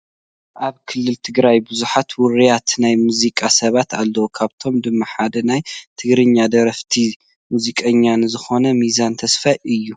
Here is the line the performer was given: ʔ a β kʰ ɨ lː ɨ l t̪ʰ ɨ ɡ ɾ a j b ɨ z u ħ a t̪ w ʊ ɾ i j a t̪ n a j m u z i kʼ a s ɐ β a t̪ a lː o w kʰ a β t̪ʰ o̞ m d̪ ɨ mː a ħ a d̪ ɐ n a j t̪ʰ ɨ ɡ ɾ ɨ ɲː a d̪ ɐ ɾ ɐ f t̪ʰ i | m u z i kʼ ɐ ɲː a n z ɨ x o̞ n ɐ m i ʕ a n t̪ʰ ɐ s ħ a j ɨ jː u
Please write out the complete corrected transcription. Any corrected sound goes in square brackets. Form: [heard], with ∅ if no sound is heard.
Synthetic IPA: ʔ a β kʰ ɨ lː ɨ l t̪ʰ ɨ ɡ ɾ a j b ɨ z u ħ a t̪ w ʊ ɾ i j a t̪ n a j m u z i kʼ a s ɐ β a t̪ a lː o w kʰ a β t̪ʰ o̞ m d̪ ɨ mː a ħ a d̪ ɐ n a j t̪ʰ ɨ ɡ ɾ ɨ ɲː a d̪ ɐ ɾ ɐ f t̪ʰ i | m u z i kʼ ɐ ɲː a n z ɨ x o̞ n ɐ m i [z] a n t̪ʰ ɐ s [f] a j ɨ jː u